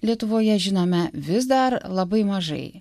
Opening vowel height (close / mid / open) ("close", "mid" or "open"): close